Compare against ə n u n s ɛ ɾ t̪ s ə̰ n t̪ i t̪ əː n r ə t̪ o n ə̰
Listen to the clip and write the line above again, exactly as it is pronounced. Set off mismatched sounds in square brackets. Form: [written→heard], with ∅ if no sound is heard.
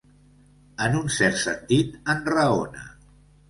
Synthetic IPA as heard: ə n u n s ɛ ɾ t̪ s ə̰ n t̪ i t̪ [əː→ə] n r ə [t̪→∅] o n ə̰